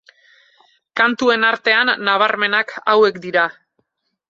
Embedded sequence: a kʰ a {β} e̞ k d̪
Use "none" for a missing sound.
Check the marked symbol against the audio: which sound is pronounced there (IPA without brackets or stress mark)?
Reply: w